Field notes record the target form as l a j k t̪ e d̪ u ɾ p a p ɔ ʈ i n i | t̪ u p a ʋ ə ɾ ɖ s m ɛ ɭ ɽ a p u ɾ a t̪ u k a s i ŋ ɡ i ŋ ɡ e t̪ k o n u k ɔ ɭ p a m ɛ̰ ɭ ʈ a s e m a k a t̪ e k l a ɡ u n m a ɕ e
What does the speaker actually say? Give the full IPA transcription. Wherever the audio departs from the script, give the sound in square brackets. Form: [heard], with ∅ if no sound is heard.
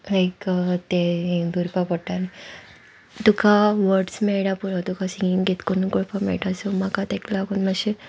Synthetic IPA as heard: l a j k t̪ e d̪ u ɾ p a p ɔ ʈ [a] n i | t̪ u [k] a ʋ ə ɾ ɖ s m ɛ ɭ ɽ a p u ɾ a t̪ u k a s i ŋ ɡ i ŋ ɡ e t̪ k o n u k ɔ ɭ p a m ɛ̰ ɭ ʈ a s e m a k a t̪ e k l a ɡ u n m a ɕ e